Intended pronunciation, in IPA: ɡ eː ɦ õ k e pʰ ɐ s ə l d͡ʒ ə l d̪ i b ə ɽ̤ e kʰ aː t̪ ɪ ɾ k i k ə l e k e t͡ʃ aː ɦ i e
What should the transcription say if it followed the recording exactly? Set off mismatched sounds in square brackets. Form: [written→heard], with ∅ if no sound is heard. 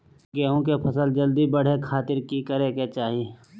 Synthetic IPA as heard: ɡ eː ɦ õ k e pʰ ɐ s ə l d͡ʒ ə l d̪ i b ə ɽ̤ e kʰ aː t̪ ɪ ɾ k i k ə [l→ɾ] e k e t͡ʃ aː ɦ i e